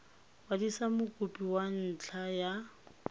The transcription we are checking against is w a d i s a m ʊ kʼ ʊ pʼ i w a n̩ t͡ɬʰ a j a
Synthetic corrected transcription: w a d i s a m ʊ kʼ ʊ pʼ i w a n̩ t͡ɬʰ a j a

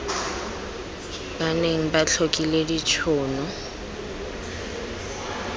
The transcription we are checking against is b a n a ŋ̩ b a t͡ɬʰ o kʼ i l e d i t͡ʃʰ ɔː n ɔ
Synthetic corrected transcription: b a n e ŋ̩ b a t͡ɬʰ o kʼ i l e d i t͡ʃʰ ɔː n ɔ

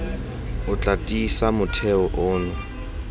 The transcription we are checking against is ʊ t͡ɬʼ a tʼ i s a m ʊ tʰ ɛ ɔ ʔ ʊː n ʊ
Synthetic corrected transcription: ʊ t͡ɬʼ a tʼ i s a m ʊ tʰ ɛ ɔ ʔ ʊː n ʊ

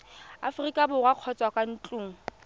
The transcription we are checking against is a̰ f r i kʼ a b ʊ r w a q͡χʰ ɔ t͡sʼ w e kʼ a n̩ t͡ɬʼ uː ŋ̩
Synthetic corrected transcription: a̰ f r i kʼ a b ʊ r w a q͡χʰ ɔ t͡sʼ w a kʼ a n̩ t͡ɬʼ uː ŋ̩

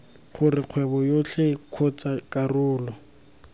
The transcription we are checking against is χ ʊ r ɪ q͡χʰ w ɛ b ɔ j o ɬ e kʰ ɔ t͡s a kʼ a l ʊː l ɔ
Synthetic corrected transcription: χ ʊ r ɪ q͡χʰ w ɛ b ɔ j o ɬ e kʰ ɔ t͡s a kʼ a r ʊː l ɔ

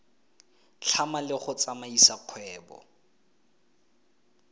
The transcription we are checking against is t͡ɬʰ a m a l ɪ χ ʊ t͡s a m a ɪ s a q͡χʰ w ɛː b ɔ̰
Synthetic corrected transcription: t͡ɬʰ a m a l ɪ χ ʊ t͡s a m a i s a q͡χʰ w ɛː b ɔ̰

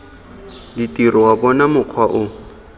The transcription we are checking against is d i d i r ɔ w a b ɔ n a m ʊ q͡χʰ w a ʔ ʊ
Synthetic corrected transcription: d i t i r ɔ w a b ɔ n a m ʊ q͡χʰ w a ʔ ʊ

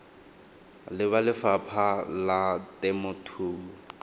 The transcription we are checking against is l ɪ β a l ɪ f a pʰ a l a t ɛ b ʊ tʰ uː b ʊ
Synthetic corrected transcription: l ɪ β a l ɪ f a pʰ a l a t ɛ m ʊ tʰ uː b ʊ

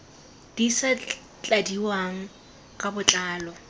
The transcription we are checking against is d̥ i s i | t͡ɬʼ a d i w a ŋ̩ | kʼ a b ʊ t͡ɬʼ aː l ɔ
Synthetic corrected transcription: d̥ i s a | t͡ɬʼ a d i w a ŋ̩ | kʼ a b ʊ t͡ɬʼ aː l ɔ

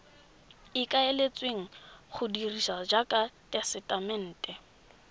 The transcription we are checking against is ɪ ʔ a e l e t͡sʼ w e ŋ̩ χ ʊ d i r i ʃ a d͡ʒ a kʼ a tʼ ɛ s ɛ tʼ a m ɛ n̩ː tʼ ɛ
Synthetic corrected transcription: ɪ k a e l e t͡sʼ w e ŋ̩ χ ʊ d i r i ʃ a d͡ʒ a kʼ a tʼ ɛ s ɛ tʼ a m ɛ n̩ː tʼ ɛ

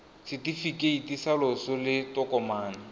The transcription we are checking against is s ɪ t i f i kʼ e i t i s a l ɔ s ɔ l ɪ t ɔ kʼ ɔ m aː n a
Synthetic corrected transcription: s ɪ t i f i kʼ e i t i s a l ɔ s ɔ l ɪ t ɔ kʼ ɔ m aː n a

